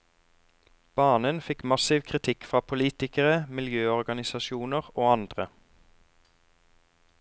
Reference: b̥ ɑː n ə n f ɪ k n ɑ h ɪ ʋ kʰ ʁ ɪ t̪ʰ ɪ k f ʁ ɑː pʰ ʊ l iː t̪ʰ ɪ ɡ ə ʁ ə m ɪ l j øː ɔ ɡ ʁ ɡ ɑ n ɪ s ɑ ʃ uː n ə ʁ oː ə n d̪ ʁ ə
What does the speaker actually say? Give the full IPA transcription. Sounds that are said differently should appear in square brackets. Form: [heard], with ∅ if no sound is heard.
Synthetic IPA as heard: b̥ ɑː n ə n f ɪ k [m] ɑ [s] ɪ ʋ kʰ ʁ ɪ t̪ʰ ɪ k f ʁ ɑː pʰ ʊ l iː [t̪] ɪ [k] ə ʁ ə m ɪ l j øː ɔ [∅] ʁ ɡ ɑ n ɪ s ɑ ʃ uː n ə ʁ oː [ɑ] n d̪ ʁ ə